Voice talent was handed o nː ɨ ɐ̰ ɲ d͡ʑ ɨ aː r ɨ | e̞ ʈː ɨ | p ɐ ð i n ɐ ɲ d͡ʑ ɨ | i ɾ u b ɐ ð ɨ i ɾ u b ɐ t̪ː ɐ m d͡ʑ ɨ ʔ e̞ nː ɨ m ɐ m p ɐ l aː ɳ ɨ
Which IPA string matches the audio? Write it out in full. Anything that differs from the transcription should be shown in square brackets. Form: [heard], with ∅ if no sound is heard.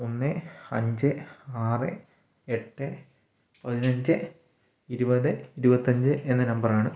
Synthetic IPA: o nː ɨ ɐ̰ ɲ d͡ʑ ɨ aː r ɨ | e̞ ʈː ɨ | p ɐ ð i n ɐ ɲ d͡ʑ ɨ | i ɾ u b ɐ ð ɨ i ɾ u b ɐ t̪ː ɐ [ɲ] d͡ʑ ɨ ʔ e̞ nː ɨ [n] ɐ m [b] ɐ [r] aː ɳ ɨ